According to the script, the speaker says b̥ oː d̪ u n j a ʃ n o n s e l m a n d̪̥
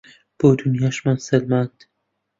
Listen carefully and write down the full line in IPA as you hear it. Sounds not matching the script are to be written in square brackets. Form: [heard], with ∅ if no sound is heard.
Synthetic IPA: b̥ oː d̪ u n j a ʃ [m] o n s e l m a n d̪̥